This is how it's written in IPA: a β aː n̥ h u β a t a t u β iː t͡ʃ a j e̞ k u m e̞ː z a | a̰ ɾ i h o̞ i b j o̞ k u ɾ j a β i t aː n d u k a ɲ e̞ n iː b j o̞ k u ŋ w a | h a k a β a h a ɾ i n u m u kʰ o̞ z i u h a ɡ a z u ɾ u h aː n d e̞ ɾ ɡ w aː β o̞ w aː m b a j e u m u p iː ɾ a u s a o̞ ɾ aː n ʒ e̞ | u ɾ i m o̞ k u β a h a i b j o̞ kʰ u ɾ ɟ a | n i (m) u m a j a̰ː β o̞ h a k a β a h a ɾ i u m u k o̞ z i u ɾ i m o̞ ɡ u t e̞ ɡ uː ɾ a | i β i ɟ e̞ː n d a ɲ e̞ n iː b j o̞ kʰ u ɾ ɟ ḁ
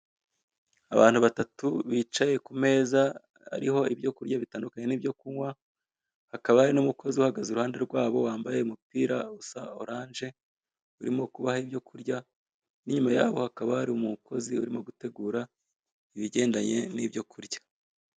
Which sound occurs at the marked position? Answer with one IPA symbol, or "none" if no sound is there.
ɲ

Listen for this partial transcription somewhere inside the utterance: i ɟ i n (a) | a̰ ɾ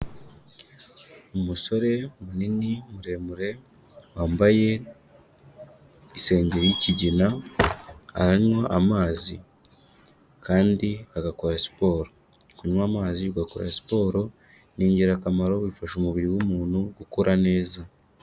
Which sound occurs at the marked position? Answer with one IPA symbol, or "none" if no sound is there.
a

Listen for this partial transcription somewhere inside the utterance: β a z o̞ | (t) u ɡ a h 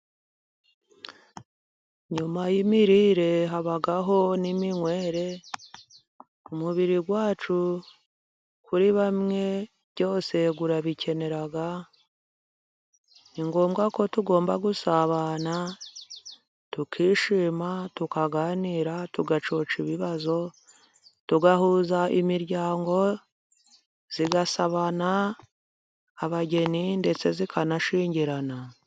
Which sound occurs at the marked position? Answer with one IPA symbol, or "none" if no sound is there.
t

